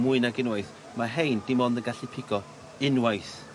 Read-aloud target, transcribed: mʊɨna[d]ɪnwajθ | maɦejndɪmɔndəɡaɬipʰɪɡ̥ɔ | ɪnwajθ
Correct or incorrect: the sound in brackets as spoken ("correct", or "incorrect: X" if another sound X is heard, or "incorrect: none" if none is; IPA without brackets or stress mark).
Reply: incorrect: ɡ